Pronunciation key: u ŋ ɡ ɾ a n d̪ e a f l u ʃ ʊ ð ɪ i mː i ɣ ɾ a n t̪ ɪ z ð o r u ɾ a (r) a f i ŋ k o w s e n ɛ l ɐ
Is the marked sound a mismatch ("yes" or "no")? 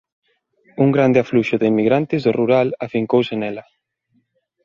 yes